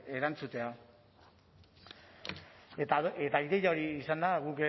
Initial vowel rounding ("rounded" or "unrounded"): unrounded